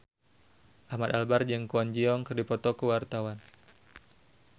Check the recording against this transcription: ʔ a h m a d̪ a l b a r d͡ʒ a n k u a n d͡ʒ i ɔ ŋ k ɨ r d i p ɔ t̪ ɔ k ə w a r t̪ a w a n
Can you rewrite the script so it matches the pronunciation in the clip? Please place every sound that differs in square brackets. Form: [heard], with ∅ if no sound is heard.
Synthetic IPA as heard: ʔ a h m a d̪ a l b a r d͡ʒ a [ŋ] k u a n d͡ʒ i ɔ ŋ k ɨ r d i p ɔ t̪ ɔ k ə w a r t̪ a w a n